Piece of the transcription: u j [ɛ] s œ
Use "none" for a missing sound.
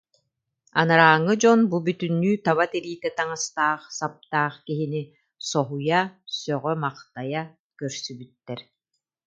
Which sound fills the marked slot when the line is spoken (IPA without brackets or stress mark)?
a